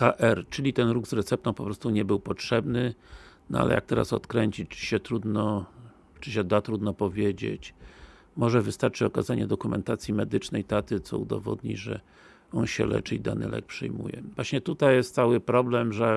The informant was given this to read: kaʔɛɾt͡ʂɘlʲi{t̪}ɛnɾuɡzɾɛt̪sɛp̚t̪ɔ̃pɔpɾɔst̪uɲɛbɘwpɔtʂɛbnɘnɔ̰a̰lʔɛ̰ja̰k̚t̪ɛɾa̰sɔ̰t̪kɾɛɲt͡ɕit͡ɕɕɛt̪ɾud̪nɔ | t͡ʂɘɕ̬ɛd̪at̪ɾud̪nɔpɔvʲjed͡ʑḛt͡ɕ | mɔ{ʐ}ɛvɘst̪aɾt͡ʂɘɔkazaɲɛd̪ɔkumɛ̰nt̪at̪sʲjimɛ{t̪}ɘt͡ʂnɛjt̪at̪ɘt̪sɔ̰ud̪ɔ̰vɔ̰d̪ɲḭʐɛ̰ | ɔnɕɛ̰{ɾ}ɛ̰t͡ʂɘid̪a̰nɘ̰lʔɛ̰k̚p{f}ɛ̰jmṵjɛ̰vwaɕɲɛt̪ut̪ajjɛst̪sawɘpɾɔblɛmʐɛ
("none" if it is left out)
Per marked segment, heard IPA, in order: t̪, ʐ, d̪, l, ʂ

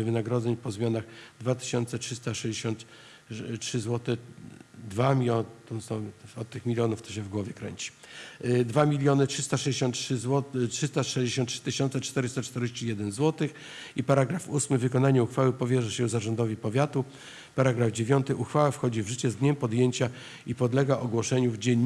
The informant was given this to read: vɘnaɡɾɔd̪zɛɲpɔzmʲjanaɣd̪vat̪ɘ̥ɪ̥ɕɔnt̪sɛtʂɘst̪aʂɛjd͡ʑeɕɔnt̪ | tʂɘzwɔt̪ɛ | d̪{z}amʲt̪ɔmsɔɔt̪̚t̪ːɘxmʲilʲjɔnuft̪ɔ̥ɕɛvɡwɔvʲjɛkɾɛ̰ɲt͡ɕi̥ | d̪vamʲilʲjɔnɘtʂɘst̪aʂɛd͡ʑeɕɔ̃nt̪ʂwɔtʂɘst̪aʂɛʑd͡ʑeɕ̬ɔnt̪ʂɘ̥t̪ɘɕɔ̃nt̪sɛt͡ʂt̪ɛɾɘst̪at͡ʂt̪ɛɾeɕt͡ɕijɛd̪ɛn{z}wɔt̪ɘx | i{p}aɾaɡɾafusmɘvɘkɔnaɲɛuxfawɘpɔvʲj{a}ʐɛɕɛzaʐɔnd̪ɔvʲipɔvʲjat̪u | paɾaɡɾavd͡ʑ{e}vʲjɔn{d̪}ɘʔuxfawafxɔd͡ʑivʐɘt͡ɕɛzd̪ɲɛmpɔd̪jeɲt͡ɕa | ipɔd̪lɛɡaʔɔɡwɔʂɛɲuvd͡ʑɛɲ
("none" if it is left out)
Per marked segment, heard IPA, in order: v, z, p, ɛ, e, t̪

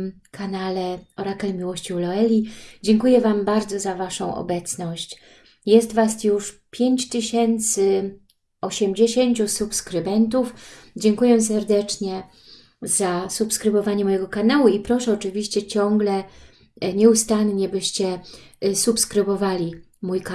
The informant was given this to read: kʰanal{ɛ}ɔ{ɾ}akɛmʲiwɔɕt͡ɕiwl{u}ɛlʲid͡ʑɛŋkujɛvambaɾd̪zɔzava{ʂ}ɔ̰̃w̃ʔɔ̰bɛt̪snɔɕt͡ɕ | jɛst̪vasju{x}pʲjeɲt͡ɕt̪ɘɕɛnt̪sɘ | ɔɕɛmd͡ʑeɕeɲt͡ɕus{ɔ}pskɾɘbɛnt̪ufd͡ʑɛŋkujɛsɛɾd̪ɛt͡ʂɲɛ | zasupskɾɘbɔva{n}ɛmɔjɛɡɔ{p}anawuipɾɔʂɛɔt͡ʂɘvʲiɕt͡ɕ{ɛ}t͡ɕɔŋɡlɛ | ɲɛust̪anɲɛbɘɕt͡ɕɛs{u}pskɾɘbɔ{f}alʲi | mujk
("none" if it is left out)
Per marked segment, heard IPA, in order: ɛ, ɾ, ɔ, ʂ, ʂ, u, ɲ, k, ɛ, u, v

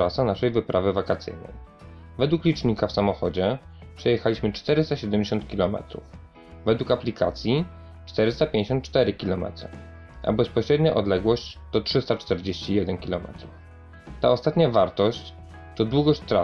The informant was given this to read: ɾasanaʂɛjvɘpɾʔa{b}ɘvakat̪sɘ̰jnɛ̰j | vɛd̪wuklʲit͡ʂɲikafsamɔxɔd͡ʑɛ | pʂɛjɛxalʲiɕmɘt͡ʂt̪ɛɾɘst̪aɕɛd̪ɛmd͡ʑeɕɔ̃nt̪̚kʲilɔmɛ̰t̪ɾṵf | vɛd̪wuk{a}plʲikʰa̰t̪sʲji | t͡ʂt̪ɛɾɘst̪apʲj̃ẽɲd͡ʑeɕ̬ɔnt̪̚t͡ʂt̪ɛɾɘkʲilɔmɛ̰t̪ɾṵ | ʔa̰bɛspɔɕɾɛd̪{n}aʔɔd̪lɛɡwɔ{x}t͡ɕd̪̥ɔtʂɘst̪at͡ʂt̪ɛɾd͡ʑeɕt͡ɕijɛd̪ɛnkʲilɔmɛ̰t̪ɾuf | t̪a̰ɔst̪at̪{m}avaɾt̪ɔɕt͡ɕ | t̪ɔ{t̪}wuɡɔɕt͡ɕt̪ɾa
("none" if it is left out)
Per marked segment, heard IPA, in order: v, a, ɲ, ɕ, ɲ, d̪

